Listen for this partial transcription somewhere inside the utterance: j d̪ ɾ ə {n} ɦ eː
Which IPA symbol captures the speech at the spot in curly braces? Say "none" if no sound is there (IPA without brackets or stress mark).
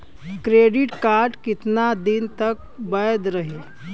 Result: none